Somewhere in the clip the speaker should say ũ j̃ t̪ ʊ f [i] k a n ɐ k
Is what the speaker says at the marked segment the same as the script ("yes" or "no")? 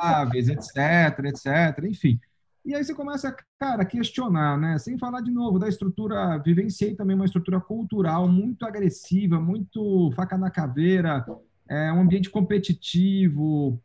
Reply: no